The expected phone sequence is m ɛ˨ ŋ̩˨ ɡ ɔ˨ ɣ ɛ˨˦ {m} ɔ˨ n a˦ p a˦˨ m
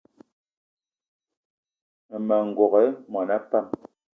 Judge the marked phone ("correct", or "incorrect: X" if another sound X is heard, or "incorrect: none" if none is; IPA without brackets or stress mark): correct